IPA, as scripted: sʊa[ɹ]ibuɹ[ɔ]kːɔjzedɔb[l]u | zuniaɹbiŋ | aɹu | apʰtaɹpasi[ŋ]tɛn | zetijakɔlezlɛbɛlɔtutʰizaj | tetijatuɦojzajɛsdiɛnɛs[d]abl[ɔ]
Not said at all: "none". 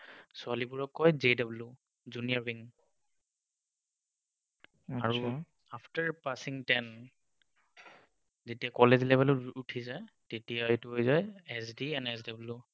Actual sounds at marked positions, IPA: l, ɔ, l, ŋ, d, u

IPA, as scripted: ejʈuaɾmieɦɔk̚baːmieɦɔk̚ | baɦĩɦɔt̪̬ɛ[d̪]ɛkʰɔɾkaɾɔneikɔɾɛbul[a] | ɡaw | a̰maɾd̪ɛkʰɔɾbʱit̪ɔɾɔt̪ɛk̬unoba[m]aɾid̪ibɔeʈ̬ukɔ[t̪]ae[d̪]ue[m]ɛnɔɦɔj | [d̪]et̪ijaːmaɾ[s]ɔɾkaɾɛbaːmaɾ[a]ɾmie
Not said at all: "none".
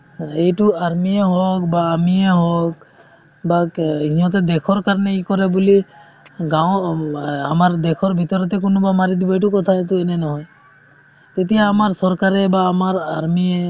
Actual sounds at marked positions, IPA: d̪, i, m, t̪ʰ, t̪, n, t̪, s, a

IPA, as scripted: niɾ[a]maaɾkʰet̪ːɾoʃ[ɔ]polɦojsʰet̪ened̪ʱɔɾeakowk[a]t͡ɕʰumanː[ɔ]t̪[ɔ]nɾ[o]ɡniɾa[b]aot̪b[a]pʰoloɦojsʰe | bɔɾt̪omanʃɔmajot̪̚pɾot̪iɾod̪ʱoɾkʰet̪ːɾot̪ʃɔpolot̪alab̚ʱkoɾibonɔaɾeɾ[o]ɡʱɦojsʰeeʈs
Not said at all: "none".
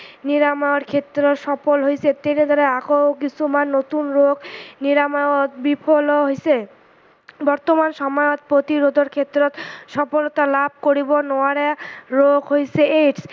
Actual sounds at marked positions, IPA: a, ɔ, i, o, u, o, m, i, o

